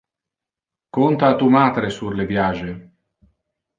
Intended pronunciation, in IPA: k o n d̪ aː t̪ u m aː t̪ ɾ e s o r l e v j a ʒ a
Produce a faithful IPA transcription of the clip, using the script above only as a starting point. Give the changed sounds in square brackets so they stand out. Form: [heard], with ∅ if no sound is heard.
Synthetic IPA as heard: k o n [t̪] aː t̪ u m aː t̪ ɾ e s [u] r l e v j a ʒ [e]

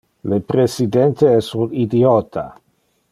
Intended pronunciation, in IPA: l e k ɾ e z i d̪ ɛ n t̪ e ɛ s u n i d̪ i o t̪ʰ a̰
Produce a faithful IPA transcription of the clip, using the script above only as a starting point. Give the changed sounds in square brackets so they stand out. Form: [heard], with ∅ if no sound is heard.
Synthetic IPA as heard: l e [p] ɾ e [s] i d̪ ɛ n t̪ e ɛ s u n i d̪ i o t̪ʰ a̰

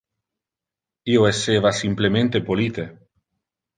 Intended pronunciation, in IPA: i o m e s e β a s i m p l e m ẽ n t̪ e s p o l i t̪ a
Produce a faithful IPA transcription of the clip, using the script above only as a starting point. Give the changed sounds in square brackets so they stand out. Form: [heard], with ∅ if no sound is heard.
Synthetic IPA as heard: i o [∅] e s e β a s i m p l e m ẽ n t̪ e [∅] p o l i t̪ [e]

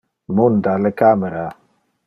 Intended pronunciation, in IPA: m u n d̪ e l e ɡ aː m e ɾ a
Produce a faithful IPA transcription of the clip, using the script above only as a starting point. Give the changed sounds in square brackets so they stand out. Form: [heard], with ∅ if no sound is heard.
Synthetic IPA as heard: m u n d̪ [a] l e [k] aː m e ɾ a

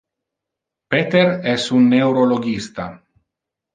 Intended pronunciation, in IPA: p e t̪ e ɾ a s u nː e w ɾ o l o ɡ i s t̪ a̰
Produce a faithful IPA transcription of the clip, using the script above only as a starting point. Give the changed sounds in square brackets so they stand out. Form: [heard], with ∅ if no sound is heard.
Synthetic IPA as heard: p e t̪ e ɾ [ɛ] s u nː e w ɾ o l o ɡ i s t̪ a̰

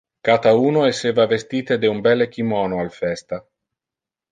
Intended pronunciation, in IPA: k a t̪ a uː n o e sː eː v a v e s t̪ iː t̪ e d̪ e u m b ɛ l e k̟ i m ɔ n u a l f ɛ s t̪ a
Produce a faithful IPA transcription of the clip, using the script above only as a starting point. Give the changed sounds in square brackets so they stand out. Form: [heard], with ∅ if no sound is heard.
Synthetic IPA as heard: k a t̪ a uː n o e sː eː v a v e s t̪ iː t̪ e d̪ e u m b ɛ l e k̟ i m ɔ n [o] a l f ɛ s t̪ a

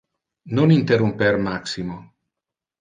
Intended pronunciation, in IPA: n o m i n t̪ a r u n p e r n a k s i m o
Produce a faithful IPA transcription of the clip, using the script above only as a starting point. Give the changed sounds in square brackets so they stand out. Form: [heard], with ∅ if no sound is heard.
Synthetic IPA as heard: n o [n] i n t̪ [e] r u [m] p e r [m] a k s i m o

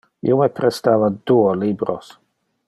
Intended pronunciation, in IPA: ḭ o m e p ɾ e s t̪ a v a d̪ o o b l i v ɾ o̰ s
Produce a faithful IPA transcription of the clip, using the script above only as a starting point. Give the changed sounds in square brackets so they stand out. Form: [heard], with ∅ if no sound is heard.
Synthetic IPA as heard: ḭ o m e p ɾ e s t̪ a v a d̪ [u] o [∅] l i [b] ɾ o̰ s

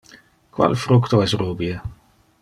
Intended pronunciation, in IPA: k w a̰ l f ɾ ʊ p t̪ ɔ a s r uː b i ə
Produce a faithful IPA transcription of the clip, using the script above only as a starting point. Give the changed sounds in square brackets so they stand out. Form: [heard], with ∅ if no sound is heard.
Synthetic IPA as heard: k w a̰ l f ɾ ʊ [k] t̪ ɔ [ɛ] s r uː b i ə

